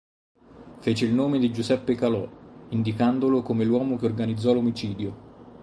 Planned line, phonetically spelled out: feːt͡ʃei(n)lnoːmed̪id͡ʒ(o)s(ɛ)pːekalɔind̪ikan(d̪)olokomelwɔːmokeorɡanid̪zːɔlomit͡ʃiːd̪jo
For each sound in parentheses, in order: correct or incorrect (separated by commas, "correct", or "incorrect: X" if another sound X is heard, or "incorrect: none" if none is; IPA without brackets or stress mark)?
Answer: incorrect: none, incorrect: u, correct, correct